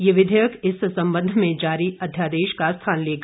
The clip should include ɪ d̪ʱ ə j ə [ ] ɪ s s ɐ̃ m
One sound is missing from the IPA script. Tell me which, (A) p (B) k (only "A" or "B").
B